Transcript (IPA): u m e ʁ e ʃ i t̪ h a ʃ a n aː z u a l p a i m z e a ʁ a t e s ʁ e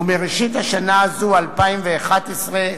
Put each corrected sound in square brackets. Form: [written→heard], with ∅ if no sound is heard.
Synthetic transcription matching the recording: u m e ʁ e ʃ i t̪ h a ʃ a n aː z u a l p a i m [z→v] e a [ʁ→χ] a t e s ʁ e